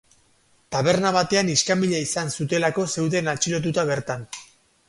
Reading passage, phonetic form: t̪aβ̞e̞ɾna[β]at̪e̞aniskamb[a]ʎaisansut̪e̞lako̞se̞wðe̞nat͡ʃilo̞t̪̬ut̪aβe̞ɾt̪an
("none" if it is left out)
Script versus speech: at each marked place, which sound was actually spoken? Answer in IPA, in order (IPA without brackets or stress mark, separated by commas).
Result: β, i